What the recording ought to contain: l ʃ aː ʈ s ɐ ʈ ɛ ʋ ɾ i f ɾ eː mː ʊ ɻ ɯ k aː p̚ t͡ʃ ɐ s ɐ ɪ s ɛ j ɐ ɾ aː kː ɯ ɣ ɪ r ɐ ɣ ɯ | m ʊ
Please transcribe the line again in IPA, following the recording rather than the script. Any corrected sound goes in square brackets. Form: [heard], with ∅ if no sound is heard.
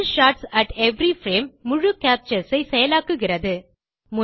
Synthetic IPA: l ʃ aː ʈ s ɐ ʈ ɛ ʋ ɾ i f ɾ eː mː ʊ ɻ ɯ k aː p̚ t͡ʃ ɐ s ɐ ɪ s ɛ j ɐ [l] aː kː ɯ ɣ ɪ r ɐ [ð] ɯ | m ʊ

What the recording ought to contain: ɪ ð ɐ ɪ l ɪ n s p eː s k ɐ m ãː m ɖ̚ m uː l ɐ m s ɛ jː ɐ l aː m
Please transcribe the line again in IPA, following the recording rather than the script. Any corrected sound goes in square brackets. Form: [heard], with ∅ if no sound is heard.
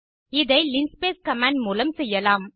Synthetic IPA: ɪ ð ɐ ɪ l ɪ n s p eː s k ɐ m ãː [ɳ] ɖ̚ m uː l ɐ m s ɛ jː ɐ l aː m

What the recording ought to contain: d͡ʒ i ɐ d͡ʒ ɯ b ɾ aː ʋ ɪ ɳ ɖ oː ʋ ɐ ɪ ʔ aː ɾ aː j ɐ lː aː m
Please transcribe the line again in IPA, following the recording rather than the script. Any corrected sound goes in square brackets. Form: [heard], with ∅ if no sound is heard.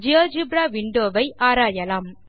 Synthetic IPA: d͡ʒ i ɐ d͡ʒ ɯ b ɾ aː ʋ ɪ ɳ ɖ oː ʋ ɐ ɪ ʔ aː ɾ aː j ɐ [l] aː m

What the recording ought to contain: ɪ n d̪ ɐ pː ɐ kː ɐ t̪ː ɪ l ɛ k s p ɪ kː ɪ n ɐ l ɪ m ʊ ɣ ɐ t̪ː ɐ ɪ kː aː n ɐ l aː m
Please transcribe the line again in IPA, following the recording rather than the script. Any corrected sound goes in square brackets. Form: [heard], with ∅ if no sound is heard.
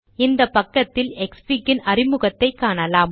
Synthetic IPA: ɪ n d̪ ɐ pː ɐ kː ɐ t̪ː ɪ l ɛ k s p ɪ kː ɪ n ɐ [r] ɪ m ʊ ɣ ɐ t̪ː ɐ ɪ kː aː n ɐ l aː m

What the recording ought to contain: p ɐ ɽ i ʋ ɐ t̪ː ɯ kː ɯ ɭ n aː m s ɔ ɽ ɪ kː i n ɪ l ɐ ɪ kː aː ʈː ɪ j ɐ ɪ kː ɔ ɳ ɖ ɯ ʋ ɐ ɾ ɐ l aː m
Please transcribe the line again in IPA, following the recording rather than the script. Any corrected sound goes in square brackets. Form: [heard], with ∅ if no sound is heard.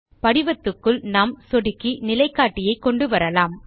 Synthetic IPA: p ɐ ɽ [ɪ] ʋ ɐ t̪ː ɯ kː ɯ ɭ n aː m s ɔ ɽ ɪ kː i n ɪ l ɐ ɪ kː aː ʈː ɪ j ɐ ɪ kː ɔ ɳ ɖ ɯ ʋ ɐ ɾ ɐ l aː m

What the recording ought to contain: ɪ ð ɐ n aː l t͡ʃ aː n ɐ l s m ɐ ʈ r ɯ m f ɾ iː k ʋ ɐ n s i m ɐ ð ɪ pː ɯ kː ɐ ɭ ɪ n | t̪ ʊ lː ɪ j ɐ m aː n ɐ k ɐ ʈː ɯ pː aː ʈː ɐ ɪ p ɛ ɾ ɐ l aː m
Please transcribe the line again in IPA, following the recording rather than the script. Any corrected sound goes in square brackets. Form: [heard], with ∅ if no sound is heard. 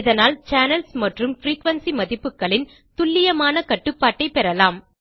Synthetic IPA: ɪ ð ɐ n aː l t͡ʃ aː n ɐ l s m ɐ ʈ r ɯ m f ɾ iː k ʋ ɐ n s i m ɐ ð ɪ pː ɯ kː ɐ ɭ ɪ n | t̪ ʊ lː ɪ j ɐ m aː n ɐ k ɐ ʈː ɯ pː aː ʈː ɐ ɪ p ɛ ɾ ɐ l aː m

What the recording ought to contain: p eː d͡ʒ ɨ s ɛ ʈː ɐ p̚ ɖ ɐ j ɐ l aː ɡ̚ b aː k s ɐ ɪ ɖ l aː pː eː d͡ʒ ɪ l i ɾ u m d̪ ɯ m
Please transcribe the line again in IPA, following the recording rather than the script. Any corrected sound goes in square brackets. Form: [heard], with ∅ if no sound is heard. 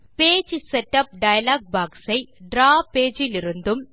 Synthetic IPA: p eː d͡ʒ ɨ s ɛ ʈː ɐ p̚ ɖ ɐ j ɐ l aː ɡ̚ b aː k s ɐ ɪ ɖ [ɾ] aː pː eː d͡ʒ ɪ l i ɾ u [n] d̪ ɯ m

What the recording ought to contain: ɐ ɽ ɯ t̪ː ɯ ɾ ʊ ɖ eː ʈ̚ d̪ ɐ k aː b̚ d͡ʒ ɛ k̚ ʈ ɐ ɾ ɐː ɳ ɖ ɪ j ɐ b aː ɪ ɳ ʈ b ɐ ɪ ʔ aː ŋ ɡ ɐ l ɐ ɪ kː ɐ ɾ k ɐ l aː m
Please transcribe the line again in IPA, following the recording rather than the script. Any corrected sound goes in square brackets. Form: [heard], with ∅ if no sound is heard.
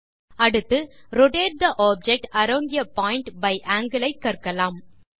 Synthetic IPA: ɐ ɽ ɯ t̪ː ɯ ɾ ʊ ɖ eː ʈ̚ d̪ ɐ [ʔ] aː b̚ d͡ʒ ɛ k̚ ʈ ɐ ɾ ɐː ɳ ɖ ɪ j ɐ [p] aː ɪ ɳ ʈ b ɐ ɪ ʔ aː ŋ ɡ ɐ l ɐ ɪ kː ɐ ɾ k ɐ l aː m

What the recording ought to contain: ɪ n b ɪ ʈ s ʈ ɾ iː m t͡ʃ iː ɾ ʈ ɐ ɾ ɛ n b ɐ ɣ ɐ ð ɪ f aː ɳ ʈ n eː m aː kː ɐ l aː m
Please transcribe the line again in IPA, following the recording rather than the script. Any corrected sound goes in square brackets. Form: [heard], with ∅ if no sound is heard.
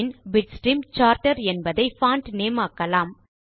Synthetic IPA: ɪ n b ɪ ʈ s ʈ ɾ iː m t͡ʃ [aː] ɾ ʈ ɐ ɾ ɛ n b ɐ [ð] ɐ [∅] ɪ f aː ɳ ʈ n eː m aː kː ɐ l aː m

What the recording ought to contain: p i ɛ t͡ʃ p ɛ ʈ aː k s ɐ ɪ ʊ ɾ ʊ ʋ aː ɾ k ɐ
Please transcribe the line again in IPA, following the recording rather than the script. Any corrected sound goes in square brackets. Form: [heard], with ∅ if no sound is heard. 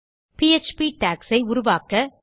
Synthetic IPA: p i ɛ t͡ʃ p [i] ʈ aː k s ɐ ɪ ʊ ɾ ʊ ʋ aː [∅] k ɐ

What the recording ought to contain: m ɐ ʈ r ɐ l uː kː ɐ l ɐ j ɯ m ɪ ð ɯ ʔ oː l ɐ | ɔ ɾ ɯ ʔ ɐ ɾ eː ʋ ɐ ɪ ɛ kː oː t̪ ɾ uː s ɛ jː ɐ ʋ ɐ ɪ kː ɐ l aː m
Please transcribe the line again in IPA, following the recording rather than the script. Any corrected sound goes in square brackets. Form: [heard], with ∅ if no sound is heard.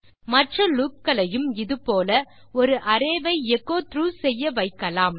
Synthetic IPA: m ɐ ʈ r ɐ l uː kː ɐ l ɐ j ɯ m ɪ ð ɯ [p] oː l ɐ | ɔ ɾ ɯ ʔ ɐ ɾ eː ʋ ɐ ɪ ɛ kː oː t̪ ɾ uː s ɛ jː ɐ ʋ ɐ ɪ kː ɐ l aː m

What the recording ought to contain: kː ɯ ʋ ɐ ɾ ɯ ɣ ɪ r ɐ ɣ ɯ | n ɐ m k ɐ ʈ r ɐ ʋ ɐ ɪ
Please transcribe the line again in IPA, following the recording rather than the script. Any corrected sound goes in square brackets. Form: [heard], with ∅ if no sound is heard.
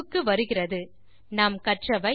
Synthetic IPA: kː ɯ ʋ ɐ ɾ ɯ ɣ ɪ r ɐ [ð] ɯ | n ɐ m k ɐ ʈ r ɐ ʋ ɐ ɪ

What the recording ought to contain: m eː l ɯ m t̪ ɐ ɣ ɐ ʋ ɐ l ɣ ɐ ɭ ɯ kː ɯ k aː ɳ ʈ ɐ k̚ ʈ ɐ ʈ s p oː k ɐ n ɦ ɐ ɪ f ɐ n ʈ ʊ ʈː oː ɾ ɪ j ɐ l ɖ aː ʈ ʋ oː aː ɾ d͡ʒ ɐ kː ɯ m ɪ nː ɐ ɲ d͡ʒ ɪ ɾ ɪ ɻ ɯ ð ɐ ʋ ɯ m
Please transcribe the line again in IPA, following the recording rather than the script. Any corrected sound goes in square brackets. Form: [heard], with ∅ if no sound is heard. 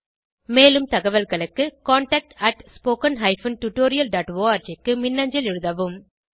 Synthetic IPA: m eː l ɯ m t̪ ɐ ɣ ɐ ʋ ɐ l ɣ ɐ ɭ ɯ kː ɯ k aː ɳ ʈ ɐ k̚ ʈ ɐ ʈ s p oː k ɐ n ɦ ɐ ɪ f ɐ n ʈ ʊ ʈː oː ɾ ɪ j ɐ l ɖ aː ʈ ʋ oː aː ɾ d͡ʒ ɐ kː ɯ m ɪ nː ɐ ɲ d͡ʒ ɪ [l] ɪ ɻ ɯ ð ɐ ʋ ɯ m

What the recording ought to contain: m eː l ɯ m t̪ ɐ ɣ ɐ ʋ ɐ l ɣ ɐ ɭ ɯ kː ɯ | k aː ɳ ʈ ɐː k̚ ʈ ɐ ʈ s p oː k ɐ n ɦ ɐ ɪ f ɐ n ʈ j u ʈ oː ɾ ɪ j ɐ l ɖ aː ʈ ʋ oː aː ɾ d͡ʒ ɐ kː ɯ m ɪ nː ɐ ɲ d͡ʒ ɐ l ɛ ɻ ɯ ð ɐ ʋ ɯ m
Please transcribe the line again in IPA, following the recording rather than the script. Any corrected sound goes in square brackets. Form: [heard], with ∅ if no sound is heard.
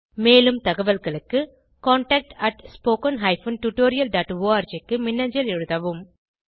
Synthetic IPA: m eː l ɯ m t̪ ɐ ɣ ɐ ʋ ɐ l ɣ ɐ ɭ ɯ kː ɯ | k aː ɳ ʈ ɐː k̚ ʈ ɐ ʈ s p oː k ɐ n ɦ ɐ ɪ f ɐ n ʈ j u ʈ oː ɾ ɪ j ɐ l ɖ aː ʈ ʋ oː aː ɾ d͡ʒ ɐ kː ɯ m ɪ nː ɐ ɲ d͡ʒ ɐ l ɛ ɻ ɯ ð ɐ ʋ ɯ m

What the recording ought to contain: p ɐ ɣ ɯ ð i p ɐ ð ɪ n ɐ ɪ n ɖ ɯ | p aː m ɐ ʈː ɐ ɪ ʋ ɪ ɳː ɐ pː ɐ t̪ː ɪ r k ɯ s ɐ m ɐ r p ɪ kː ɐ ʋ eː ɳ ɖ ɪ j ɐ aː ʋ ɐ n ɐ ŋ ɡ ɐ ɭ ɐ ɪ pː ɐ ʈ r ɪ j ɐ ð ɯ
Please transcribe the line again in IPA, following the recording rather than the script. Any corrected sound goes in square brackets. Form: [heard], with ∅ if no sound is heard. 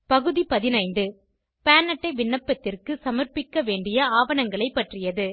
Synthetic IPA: p ɐ ɣ ɯ ð i p ɐ ð ɪ n ɐ ɪ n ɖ ɯ | p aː [n] ɐ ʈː ɐ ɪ ʋ ɪ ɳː ɐ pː ɐ t̪ː ɪ r k ɯ s ɐ m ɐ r p ɪ kː ɐ ʋ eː ɳ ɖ ɪ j ɐ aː ʋ ɐ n ɐ ŋ ɡ ɐ ɭ ɐ ɪ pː ɐ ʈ r ɪ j ɐ ð ɯ

